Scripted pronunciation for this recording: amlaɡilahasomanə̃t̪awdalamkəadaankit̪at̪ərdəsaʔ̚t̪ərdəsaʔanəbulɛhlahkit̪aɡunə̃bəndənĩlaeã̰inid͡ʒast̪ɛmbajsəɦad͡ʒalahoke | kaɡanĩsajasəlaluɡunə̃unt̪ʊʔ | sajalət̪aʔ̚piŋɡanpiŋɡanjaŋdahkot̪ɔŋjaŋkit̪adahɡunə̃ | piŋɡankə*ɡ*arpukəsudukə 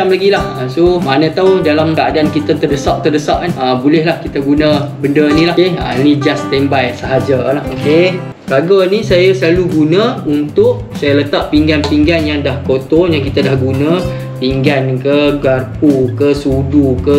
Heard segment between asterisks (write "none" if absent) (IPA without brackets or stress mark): ɡ